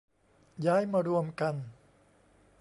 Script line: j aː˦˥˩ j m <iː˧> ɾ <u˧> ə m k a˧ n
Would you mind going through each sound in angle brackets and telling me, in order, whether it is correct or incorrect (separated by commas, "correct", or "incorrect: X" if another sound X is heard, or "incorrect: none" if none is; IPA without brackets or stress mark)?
incorrect: aː˧, correct